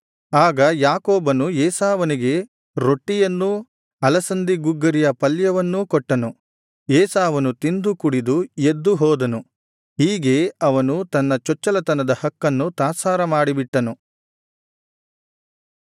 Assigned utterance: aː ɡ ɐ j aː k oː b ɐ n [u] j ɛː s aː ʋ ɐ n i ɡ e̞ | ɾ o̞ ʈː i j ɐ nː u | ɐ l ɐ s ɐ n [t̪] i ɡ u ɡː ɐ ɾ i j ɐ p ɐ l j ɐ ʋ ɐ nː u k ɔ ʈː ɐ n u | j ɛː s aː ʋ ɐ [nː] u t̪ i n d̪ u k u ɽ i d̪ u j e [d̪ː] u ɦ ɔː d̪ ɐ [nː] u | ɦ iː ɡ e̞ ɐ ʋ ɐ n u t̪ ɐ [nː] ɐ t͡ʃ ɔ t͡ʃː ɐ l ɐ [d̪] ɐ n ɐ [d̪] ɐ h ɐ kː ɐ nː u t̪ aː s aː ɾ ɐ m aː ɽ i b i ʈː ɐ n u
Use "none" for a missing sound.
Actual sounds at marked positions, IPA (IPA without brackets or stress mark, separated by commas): u, d̪, n, d̪ː, n, nː, t̪, d̪